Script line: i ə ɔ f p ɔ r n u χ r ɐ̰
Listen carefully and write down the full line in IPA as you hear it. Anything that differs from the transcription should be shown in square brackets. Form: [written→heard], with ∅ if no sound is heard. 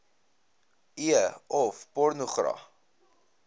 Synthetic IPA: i ə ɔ f p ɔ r n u χ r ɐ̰